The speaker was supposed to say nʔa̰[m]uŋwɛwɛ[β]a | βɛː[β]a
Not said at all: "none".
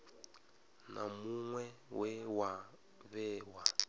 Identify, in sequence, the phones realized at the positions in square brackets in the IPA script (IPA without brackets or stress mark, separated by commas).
m, w, w